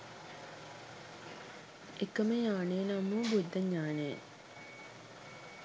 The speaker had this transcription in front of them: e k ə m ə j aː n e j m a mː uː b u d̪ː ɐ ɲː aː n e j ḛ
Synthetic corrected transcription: e k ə m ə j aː n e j n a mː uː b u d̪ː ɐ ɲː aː n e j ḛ